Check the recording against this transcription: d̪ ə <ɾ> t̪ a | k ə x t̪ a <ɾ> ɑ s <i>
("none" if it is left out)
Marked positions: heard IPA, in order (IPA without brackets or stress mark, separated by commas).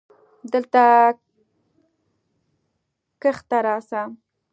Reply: l, ɾ, a